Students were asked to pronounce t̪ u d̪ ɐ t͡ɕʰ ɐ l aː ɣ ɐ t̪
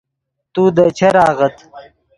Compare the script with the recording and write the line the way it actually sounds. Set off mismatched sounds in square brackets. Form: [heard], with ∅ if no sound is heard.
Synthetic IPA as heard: t̪ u d̪ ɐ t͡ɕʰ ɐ [ɾ] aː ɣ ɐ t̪

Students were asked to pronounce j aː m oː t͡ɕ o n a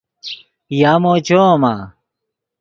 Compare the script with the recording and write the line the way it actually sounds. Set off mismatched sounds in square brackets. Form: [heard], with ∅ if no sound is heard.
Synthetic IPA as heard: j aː m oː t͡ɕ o [m] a

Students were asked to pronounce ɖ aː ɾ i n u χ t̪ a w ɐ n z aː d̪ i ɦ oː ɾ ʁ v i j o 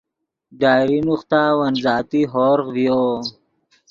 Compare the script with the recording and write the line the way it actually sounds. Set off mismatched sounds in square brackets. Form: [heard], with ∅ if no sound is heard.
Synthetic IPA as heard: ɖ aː ɾ i n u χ t̪ a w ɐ n z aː [t̪] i ɦ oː ɾ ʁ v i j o

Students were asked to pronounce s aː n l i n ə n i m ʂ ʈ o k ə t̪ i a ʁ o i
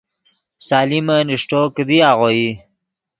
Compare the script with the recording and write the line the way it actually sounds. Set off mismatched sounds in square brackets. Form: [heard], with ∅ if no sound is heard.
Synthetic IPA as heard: s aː [∅] l i [m] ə n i [∅] ʂ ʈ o k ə [d̪] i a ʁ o i

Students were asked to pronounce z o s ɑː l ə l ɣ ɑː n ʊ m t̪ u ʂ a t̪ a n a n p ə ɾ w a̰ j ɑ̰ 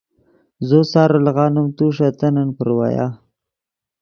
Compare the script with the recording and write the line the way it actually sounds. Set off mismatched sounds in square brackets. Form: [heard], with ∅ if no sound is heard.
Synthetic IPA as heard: z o s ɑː [ɾ] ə l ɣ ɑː n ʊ m t̪ u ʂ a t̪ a n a n p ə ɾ w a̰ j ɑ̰

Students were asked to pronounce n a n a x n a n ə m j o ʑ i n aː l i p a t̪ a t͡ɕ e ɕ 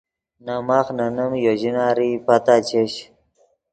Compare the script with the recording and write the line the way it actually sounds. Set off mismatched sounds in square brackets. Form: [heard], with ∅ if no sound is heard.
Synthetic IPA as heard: n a [m] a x n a n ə m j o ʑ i n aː [ɾ] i p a t̪ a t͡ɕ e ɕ

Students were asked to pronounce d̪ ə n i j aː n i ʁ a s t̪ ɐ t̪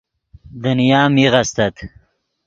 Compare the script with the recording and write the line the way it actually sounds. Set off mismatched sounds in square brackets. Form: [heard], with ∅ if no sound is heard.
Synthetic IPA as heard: d̪ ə n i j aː [m] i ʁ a s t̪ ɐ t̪

